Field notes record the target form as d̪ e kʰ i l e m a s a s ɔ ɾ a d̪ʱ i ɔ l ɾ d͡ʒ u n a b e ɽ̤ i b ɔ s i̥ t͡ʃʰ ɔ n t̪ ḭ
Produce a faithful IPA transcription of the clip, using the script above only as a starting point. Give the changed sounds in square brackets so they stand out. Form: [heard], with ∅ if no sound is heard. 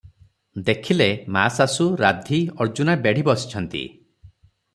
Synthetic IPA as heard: d̪ e kʰ i l e m a s a s [u] ɾ a d̪ʱ i ɔ [∅] ɾ d͡ʒ u n a b e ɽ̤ i b ɔ s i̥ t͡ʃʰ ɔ n t̪ ḭ